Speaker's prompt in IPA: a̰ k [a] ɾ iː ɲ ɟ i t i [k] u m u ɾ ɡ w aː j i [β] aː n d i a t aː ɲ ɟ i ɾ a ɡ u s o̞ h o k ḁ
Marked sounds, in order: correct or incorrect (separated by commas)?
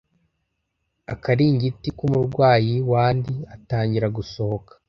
correct, correct, incorrect